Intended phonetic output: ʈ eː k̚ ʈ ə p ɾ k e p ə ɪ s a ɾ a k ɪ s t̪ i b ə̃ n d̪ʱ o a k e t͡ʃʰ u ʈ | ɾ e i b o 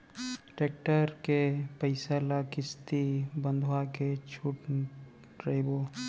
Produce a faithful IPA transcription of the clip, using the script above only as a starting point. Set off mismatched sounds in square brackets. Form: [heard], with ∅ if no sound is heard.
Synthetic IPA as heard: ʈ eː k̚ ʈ ə [∅] ɾ k e p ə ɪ s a [l] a k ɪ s t̪ i b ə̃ n d̪ʱ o a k e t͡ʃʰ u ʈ | ɾ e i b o